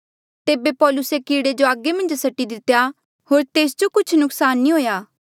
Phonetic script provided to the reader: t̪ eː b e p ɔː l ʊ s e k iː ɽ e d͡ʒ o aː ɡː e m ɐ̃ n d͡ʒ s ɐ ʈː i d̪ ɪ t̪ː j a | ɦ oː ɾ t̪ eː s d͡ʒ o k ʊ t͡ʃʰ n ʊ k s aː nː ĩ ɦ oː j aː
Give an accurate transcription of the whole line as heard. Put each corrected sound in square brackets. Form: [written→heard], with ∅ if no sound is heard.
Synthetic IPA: t̪ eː b e p ɔː l ʊ s e k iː ɽ e d͡ʒ o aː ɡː e m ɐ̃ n d͡ʒ s ɐ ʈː i d̪ ɪ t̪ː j a | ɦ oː ɾ t̪ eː s d͡ʒ o k ʊ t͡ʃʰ n ʊ k s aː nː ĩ ɦ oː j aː